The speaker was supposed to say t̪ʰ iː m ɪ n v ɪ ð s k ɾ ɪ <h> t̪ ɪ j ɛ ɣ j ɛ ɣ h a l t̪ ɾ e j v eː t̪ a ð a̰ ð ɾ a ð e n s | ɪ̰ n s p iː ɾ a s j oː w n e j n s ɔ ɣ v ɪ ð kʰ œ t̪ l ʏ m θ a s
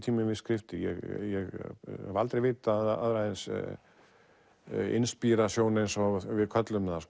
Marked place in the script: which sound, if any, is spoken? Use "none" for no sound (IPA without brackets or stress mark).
f